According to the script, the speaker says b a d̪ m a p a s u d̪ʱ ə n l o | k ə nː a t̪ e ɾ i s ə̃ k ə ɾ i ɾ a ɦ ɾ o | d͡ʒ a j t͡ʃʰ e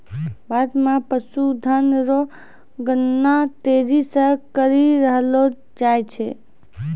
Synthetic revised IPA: b a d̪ m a p ə s u d̪ʱ ə n ɾ o | ɡ ə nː a t̪ e ɾ i s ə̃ k ə ɾ i ɾ ə ɦ l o | d͡ʒ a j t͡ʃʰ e